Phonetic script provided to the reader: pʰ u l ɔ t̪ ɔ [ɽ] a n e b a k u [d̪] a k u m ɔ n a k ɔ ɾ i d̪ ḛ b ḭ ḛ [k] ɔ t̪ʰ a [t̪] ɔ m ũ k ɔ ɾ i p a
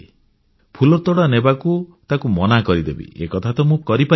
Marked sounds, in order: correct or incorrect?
correct, incorrect: t̪, correct, correct

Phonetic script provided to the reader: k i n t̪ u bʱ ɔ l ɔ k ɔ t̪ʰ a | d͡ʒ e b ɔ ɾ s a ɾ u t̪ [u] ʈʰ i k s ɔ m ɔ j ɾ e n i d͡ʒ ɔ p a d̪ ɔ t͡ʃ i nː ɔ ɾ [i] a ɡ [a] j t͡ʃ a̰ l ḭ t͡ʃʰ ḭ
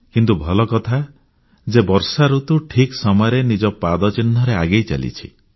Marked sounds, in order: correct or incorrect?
correct, incorrect: e, incorrect: e

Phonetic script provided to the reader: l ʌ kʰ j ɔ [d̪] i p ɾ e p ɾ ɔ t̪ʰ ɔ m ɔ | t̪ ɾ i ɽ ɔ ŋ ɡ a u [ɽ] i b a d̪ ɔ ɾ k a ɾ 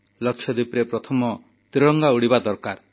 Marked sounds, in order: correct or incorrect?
correct, correct

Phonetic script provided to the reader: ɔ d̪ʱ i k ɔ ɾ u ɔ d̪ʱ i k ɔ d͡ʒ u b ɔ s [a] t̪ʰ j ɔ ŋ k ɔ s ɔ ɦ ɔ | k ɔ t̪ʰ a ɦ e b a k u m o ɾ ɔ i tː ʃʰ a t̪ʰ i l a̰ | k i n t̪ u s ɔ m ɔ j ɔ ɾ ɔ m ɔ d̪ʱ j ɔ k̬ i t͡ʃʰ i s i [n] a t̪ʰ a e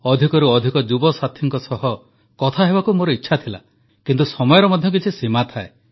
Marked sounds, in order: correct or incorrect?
correct, incorrect: m

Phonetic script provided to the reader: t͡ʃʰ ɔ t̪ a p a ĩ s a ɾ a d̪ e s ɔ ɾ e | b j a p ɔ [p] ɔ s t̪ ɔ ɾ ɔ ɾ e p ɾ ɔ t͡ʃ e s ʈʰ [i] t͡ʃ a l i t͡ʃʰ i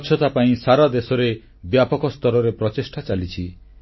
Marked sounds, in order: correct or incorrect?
incorrect: k, incorrect: a

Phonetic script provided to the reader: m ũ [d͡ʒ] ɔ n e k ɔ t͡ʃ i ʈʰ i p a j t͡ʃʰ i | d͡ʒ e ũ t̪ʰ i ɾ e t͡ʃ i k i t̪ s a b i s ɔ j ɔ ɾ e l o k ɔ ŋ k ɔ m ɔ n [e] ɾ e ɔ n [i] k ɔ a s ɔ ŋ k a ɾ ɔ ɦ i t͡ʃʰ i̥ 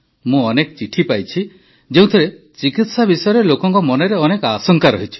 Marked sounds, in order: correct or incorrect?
incorrect: none, correct, incorrect: e

